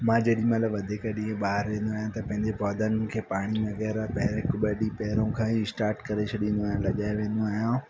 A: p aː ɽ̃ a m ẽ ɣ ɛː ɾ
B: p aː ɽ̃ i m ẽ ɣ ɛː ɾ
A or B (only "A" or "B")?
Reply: B